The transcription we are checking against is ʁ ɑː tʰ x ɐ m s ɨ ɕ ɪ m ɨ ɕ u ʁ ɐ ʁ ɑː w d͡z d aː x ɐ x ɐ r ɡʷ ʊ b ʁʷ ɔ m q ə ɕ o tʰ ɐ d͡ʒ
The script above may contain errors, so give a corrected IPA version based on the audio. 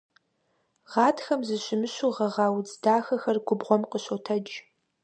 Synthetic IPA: ʁ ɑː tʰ x ɐ m z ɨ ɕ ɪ m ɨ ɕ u ʁ ɐ ʁ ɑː w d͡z d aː x ɐ x ɐ r ɡʷ ʊ b ʁʷ ɔ m q ə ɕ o tʰ ɐ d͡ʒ